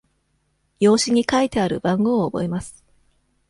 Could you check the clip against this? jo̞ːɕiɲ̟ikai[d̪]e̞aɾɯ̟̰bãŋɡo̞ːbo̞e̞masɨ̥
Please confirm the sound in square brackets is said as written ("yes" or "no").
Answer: no